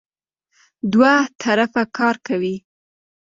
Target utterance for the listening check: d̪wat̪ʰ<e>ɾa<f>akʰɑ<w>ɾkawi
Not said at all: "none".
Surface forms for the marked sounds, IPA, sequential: a, f, none

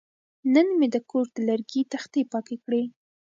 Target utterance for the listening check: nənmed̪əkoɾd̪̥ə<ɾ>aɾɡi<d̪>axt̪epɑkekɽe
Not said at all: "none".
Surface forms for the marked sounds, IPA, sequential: l, t̪

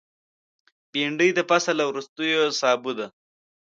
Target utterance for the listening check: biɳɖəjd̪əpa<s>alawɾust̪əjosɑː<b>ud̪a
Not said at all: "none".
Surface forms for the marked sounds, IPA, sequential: s, b

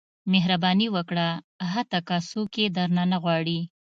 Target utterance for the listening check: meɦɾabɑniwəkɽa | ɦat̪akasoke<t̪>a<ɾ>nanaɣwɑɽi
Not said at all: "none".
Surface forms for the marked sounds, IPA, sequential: d̪, ɾ

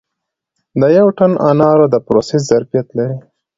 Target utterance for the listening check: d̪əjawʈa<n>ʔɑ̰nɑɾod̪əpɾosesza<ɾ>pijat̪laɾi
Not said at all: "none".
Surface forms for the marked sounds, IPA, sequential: n, ɾ

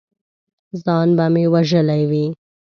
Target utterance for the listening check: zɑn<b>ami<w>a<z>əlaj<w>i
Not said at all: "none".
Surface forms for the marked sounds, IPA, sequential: b, w, ʒ, w

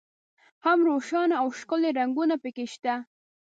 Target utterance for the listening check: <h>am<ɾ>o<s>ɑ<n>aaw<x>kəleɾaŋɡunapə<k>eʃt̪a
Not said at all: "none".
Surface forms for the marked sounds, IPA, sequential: h, ɾ, ʃ, n, ʃ, k

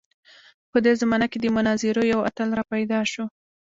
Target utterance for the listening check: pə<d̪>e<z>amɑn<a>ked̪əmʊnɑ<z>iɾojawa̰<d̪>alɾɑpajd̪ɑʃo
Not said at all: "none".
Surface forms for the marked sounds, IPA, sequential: d̪, z, a, z, t̪

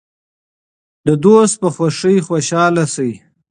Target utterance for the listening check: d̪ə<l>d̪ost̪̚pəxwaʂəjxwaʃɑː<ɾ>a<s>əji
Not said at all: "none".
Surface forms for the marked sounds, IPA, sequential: none, l, s

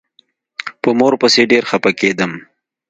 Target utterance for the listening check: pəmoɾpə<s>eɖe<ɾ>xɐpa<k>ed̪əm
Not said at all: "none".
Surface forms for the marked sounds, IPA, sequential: s, ɾ, k

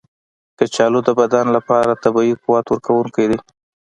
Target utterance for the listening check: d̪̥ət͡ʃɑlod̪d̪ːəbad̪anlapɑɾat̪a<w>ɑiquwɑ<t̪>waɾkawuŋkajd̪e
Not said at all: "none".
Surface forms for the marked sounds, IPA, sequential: b, t̪

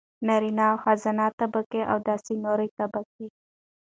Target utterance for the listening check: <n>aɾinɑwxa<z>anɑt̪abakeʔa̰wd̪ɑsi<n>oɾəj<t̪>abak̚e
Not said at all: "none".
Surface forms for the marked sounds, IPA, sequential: n, z, n, t̪

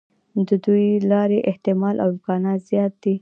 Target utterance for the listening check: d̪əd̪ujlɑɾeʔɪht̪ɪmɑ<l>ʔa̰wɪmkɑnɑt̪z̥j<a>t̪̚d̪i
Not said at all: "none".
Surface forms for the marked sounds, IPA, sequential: l, ɑ

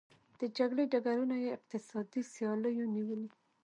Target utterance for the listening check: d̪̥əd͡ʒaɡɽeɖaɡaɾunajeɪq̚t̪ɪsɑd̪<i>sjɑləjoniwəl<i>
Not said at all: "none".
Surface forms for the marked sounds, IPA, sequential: i, i

